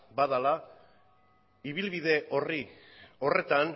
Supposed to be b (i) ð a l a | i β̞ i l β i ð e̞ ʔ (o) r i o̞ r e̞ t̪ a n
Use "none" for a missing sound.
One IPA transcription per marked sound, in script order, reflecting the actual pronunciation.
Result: a, o

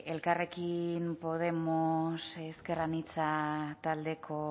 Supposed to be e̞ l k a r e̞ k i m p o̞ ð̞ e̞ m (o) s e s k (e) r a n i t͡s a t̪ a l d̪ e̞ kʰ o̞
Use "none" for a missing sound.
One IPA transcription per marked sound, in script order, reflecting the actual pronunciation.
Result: o, e

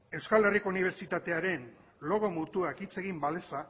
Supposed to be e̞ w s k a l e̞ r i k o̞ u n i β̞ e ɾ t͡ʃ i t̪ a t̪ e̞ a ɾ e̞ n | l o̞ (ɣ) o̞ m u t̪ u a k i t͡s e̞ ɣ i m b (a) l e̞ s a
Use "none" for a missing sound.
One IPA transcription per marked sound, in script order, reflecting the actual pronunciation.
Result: ɣ, a

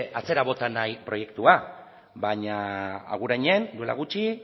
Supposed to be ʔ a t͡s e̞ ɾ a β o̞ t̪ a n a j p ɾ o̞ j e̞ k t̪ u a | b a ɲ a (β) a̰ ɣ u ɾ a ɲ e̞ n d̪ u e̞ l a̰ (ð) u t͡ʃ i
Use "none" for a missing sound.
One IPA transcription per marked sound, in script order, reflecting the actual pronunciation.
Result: none, ɣ

